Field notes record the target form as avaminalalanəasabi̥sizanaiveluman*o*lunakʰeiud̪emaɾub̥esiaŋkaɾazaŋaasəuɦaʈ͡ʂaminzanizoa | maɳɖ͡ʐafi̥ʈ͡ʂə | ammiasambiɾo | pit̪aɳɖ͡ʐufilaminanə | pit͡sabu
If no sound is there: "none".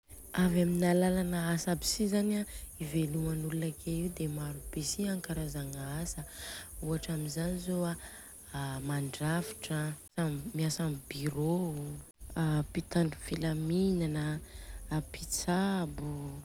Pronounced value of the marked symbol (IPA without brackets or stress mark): u